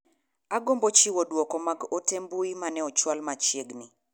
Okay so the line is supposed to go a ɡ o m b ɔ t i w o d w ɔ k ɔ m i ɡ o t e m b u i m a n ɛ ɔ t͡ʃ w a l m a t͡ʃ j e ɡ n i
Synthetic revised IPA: a ɡ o m b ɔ t͡ʃ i w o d w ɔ k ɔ m a ɡ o t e m b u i m a n ɛ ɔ t͡ʃ w a l m a t͡ʃ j e ɡ n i